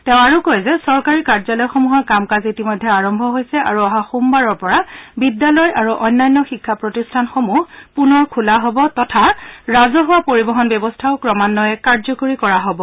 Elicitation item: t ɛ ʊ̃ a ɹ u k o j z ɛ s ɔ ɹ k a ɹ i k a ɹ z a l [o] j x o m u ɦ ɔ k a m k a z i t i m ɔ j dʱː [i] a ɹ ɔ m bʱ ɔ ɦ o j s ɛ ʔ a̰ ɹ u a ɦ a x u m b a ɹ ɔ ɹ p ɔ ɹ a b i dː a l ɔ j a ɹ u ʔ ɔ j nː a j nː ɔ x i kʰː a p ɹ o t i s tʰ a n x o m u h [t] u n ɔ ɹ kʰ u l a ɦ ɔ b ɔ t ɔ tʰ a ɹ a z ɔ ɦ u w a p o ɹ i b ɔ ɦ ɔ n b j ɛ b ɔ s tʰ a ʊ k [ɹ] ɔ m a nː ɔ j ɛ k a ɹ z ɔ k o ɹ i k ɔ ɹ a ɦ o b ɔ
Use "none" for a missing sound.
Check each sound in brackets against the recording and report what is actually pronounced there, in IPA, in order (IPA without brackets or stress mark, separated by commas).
ɔ, ɛ, p, ɹ